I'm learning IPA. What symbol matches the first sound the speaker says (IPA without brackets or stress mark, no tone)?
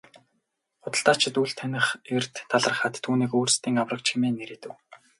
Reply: χ